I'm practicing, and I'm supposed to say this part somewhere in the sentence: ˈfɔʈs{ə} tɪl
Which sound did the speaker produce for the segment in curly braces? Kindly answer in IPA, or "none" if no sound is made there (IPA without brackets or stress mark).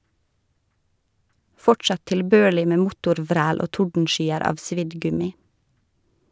ɑ